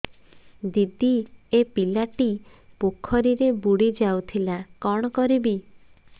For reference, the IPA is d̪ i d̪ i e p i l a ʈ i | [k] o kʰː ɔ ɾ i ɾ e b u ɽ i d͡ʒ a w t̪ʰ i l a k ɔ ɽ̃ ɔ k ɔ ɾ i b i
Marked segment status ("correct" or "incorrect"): incorrect